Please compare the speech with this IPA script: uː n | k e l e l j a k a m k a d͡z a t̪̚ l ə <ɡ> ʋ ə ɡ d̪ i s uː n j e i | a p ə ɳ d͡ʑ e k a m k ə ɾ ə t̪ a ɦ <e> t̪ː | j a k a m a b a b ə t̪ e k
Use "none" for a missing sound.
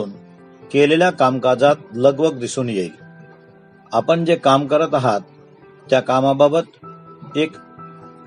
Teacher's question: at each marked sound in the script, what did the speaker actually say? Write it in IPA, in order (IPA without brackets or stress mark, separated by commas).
ɡ, a